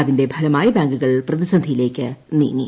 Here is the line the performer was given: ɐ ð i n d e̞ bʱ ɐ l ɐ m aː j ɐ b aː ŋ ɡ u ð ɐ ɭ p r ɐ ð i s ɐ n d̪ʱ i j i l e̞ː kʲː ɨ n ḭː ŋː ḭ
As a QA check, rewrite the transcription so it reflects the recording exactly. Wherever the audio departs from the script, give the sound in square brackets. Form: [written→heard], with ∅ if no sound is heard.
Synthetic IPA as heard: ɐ ð i n d e̞ bʱ ɐ l ɐ m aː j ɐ b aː ŋ ɡ u [ð→ɣ] ɐ ɭ p r ɐ ð i s ɐ n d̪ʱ i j i l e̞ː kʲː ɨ n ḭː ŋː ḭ